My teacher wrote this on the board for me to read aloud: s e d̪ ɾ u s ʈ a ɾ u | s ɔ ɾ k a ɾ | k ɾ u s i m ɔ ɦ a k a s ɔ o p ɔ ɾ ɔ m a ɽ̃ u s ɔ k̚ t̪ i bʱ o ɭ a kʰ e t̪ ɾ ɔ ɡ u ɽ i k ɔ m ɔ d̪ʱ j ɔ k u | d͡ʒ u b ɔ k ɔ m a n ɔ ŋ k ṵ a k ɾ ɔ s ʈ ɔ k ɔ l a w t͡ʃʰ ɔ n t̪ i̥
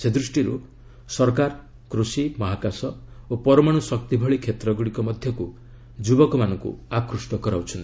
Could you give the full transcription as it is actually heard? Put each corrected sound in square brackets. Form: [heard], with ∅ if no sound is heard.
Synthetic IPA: s e d̪ ɾ u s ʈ [i] ɾ u | s ɔ ɾ k a ɾ | k ɾ u s i m ɔ ɦ a k a s ɔ o p ɔ ɾ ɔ m a ɽ̃ u s ɔ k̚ t̪ i bʱ [ɔ] ɭ [i] kʰ e t̪ ɾ ɔ ɡ u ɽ i k ɔ m ɔ d̪ʱ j ɔ k u | d͡ʒ u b ɔ k ɔ m a n ɔ ŋ k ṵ a k ɾ [u] s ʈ ɔ k ɔ [ɾ] a w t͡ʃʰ ɔ n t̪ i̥